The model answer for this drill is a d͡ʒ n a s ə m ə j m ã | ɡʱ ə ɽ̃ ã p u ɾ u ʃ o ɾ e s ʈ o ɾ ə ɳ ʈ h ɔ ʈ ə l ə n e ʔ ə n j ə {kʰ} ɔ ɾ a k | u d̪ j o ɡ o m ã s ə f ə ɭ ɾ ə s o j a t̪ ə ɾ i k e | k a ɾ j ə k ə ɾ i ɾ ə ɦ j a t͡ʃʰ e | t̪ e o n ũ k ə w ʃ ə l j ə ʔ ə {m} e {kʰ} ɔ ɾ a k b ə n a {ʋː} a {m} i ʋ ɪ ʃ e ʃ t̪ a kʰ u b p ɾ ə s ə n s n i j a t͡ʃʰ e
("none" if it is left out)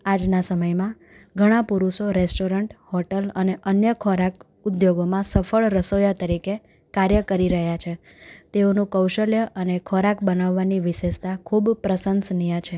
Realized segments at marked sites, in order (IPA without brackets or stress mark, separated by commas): kʰ, n, kʰ, ʋː, n